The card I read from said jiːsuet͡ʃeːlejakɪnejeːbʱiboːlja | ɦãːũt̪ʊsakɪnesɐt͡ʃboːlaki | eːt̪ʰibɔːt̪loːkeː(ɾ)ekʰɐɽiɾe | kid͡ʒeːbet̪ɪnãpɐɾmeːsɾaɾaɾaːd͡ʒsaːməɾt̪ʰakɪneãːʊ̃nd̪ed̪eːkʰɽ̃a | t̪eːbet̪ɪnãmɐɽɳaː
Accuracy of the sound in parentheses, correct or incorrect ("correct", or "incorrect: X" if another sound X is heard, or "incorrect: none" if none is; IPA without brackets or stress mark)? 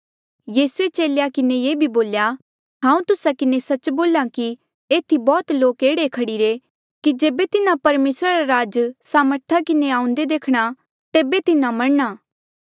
incorrect: ɽ